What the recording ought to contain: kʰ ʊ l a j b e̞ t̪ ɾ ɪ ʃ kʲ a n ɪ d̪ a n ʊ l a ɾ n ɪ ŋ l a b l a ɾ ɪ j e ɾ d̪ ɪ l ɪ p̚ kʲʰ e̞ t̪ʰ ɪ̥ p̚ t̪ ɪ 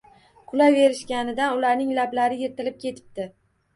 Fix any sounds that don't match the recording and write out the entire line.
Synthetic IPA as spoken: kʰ ʊ l a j v e̞ ɾ ɪ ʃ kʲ a n ɪ d̪ a n ʊ l a ɾ n ɪ ŋ l a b l a ɾ ɪ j e ɾ t̪ ɪ l ɪ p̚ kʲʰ e̞ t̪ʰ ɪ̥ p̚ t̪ ɪ